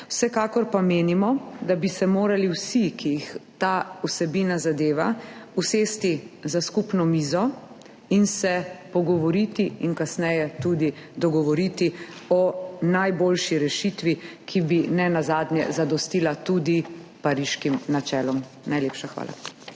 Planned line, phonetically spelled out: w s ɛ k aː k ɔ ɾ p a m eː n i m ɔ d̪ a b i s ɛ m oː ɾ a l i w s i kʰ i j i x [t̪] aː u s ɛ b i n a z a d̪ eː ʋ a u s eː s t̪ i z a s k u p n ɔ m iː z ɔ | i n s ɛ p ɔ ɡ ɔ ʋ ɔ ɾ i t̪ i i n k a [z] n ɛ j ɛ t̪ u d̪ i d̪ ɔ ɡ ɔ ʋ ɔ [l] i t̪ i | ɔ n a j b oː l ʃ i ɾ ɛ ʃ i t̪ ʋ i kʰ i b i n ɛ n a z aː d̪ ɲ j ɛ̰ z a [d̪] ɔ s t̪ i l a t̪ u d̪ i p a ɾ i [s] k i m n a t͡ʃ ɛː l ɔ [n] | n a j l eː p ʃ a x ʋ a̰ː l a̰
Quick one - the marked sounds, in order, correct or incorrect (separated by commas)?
correct, incorrect, incorrect, correct, incorrect, incorrect